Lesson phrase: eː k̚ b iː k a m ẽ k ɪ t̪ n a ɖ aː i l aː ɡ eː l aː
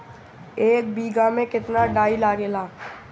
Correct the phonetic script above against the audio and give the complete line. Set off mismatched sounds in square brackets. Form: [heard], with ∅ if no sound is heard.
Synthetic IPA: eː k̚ b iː [ɡ] a m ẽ k ɪ t̪ n a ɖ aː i l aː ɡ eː l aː